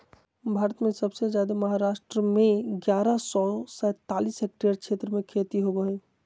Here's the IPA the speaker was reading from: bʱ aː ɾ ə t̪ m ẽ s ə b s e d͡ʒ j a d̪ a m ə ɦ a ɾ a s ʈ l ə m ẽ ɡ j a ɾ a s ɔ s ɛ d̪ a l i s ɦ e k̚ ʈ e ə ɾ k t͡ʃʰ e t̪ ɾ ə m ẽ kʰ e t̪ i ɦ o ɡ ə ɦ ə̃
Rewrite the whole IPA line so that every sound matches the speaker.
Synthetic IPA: bʱ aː ɾ ə t̪ m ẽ s ə b s e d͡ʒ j a d̪ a m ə ɦ a ɾ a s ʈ ɾ ə m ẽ ɡ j a ɾ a s ɔ s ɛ t̪ a l i s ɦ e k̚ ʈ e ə ɾ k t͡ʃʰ e t̪ ɾ ə m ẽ kʰ e t̪ i ɦ o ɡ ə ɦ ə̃